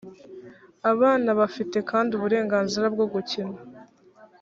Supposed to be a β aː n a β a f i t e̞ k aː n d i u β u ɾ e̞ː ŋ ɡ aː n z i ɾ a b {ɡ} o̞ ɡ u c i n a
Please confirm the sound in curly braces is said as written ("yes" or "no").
yes